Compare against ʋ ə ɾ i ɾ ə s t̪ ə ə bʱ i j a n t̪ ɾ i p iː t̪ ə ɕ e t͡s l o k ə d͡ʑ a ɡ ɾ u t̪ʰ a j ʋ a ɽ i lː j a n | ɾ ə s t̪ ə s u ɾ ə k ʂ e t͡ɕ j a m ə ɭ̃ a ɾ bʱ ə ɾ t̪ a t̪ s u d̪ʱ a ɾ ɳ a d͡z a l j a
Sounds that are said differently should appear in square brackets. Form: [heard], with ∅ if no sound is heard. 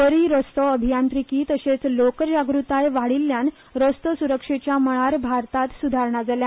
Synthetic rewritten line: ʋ ə ɾ i ɾ ə s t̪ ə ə bʱ i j a n t̪ ɾ i [k] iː t̪ ə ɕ e t͡s l o k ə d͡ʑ a ɡ ɾ u [t̪] a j ʋ a ɽ i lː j a n | ɾ ə s t̪ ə s u ɾ ə k ʂ e t͡ɕ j a m ə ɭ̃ a ɾ bʱ [a] ɾ t̪ a t̪ s u d̪ʱ a ɾ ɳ a d͡z a l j a